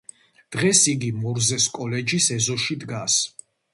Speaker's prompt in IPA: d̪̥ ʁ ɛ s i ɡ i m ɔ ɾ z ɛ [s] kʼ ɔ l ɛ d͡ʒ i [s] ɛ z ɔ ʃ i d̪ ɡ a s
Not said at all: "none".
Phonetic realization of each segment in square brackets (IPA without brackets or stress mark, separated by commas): s, s